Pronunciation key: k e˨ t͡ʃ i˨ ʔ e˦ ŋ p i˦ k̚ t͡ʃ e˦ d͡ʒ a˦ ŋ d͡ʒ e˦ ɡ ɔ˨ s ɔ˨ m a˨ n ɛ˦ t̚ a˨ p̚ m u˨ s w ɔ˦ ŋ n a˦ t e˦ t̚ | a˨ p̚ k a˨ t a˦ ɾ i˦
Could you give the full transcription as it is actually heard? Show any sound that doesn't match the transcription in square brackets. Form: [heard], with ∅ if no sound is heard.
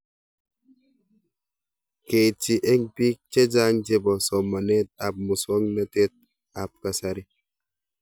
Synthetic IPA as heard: k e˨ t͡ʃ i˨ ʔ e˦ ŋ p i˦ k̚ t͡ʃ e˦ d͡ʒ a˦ ŋ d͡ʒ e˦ [b] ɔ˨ s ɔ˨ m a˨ n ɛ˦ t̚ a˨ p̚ m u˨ s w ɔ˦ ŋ n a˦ t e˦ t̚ | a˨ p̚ k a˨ [s] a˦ ɾ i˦